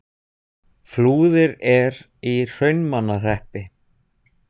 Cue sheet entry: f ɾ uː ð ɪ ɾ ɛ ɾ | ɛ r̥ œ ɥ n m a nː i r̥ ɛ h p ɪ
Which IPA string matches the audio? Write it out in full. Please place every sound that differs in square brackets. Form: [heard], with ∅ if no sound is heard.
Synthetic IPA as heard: f [l] uː ð ɪ ɾ ɛ ɾ | [i] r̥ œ ɥ n m a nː [a] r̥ ɛ h p ɪ